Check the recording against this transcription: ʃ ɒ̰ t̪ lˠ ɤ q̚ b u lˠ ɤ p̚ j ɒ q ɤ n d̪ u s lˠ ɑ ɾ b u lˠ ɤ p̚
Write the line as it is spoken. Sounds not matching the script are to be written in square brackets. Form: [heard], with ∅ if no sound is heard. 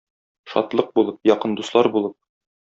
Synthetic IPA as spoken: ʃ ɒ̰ t̪ lˠ ɤ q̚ b u lˠ ɤ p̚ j ɒ q ɤ n d̪ u s lˠ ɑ ɾ b u lˠ ɤ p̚

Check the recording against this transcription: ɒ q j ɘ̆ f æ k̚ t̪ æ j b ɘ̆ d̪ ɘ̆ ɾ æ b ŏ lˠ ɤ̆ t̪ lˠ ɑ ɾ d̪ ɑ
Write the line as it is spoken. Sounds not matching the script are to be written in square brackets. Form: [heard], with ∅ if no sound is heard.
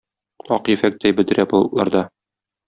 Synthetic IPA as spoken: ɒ q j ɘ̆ f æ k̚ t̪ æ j b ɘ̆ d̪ ɘ̆ ɾ æ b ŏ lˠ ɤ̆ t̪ lˠ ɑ ɾ d̪ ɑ

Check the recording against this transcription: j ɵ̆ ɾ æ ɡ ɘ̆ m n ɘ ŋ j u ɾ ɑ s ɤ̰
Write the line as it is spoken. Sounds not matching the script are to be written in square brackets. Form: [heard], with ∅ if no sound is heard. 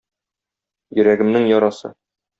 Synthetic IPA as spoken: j ɵ̆ ɾ æ ɡ ɘ̆ m n ɘ ŋ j [ɒ] ɾ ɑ s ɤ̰

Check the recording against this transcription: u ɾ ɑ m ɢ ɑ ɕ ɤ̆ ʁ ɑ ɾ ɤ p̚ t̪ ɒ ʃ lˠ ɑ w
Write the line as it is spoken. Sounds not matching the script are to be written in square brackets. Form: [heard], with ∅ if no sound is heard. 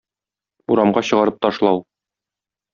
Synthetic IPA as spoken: u ɾ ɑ m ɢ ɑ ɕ ɤ̆ ʁ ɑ ɾ ɤ p̚ t̪ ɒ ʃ lˠ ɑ w

